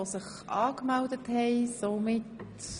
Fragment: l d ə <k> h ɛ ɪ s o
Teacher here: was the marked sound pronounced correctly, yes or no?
no